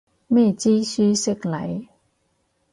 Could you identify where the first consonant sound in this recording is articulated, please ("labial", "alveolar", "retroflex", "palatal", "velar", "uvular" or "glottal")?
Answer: labial